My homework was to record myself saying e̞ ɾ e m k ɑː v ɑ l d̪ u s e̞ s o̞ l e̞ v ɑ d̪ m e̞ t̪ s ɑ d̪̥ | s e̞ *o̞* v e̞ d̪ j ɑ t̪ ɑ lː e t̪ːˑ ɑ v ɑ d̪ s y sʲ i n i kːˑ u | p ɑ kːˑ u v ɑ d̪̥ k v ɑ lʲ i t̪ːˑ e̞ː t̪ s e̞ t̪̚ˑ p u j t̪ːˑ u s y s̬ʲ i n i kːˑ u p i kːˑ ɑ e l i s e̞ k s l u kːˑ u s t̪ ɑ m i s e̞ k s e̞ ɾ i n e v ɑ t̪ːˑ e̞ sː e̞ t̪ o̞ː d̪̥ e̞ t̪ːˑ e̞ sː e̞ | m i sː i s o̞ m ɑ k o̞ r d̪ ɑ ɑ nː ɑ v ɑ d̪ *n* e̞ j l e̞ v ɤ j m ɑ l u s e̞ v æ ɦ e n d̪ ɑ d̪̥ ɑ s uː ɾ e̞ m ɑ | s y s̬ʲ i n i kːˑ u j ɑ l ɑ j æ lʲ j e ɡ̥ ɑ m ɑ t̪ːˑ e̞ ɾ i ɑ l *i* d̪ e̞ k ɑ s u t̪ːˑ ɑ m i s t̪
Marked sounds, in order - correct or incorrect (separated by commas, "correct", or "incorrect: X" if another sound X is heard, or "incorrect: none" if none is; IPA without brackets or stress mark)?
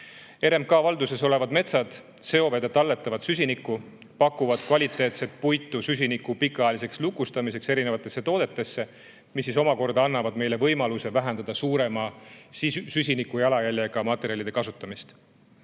correct, incorrect: m, correct